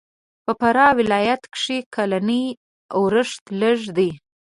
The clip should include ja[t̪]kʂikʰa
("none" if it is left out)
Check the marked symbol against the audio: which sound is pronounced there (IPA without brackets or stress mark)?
t̪